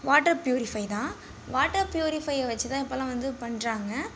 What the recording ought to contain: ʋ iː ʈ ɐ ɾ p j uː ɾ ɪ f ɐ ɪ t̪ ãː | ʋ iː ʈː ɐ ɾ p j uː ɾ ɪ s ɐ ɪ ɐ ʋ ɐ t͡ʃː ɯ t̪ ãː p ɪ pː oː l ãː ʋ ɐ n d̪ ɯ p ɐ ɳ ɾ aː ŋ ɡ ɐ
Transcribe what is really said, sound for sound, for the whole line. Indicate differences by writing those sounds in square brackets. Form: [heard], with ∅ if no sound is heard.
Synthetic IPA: ʋ [aː] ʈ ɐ ɾ p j uː ɾ ɪ f ɐ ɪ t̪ ãː | ʋ [aː] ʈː ɐ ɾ p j uː ɾ ɪ [f] ɐ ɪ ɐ ʋ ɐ t͡ʃː ɯ t̪ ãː [∅] ɪ pː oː l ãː ʋ ɐ n d̪ ɯ p ɐ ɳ ɾ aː ŋ ɡ ɐ